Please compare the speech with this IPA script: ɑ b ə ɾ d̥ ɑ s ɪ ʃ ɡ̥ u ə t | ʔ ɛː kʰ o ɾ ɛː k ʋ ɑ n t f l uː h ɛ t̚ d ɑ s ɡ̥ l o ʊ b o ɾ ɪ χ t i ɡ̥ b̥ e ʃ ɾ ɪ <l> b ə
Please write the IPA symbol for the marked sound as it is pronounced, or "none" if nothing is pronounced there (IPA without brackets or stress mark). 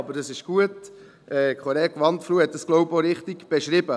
none